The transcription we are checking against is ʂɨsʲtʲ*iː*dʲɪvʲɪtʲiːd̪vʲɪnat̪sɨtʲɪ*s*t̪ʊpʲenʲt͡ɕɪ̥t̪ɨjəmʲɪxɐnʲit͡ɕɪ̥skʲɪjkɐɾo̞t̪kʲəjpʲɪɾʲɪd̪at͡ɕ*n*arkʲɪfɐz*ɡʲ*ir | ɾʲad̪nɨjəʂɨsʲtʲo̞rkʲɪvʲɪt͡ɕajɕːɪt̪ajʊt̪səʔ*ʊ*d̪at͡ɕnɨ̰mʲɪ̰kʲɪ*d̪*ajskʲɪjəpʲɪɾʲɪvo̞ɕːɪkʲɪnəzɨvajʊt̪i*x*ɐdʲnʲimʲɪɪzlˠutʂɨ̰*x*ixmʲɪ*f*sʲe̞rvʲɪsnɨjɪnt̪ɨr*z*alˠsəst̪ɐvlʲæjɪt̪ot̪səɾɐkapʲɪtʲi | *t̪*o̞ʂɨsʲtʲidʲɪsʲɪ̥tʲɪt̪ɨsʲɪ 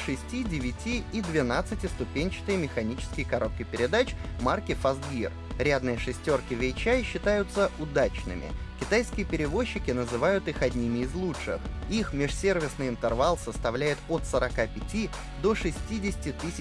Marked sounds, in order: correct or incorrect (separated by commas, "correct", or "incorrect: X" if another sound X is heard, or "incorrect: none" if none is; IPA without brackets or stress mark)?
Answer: incorrect: i, correct, incorrect: m, correct, correct, incorrect: t̪, correct, correct, incorrect: ʂ, incorrect: v, incorrect: d̪